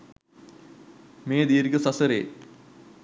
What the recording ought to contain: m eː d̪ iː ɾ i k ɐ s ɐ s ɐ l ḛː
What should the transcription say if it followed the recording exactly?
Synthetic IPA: m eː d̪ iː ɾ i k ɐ s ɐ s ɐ ɾ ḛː